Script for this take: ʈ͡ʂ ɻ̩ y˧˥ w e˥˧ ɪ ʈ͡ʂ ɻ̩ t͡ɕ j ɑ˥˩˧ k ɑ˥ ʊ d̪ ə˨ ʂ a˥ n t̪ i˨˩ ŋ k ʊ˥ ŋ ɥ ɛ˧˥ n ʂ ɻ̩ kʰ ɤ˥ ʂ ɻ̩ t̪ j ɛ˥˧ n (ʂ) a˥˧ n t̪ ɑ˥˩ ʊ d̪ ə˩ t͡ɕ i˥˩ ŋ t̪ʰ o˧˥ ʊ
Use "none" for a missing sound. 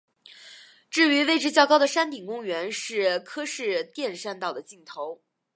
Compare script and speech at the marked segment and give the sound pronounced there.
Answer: ʂ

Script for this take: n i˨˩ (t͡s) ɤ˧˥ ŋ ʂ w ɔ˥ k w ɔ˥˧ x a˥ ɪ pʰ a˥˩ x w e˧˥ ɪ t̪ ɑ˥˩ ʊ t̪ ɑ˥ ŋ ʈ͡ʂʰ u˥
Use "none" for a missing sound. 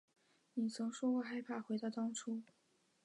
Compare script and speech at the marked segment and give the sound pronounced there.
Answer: t͡sʰ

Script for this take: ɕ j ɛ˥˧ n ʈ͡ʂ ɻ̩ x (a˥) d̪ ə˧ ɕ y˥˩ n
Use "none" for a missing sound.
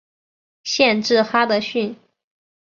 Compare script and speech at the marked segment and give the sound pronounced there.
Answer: a˥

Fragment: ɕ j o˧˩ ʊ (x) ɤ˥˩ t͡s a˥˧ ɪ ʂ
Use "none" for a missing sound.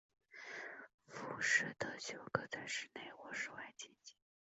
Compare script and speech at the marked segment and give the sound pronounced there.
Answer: k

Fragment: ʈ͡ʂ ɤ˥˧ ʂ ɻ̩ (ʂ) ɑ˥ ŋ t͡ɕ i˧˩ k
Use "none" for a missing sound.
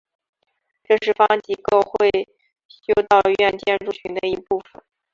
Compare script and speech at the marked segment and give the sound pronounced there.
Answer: f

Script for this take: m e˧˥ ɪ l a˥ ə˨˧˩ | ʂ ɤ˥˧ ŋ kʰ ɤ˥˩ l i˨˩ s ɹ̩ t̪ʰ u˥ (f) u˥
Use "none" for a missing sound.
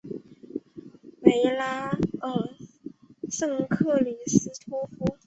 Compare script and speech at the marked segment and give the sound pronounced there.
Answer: f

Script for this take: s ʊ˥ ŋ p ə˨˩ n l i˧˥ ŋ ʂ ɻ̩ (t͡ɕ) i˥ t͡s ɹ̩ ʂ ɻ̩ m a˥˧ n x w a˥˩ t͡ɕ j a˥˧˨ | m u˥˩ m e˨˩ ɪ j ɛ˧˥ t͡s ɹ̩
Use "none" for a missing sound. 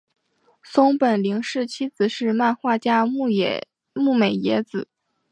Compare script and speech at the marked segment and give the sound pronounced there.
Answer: t͡ɕʰ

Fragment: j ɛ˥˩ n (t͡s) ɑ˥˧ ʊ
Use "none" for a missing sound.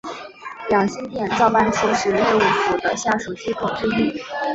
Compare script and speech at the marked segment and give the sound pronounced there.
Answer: t͡s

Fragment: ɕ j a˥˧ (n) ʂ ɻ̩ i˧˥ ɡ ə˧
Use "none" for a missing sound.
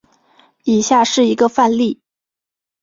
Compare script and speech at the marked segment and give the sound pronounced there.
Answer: none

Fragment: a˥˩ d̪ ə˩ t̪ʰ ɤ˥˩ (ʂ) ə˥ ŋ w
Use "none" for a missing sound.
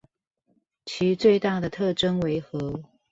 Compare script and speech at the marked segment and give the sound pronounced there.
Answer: ʈ͡ʂ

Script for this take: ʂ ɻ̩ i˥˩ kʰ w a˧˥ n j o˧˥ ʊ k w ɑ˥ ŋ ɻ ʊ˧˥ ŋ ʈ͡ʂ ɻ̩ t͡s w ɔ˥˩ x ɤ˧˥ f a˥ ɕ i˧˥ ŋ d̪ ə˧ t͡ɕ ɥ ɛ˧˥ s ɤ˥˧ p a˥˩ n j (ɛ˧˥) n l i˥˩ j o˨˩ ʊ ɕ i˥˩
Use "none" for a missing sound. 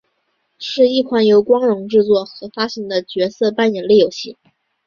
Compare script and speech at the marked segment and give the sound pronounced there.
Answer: ɛ˨˩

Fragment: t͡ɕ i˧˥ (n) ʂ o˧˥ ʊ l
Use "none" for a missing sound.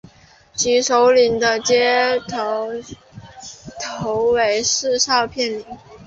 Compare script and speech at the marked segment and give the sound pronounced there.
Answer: none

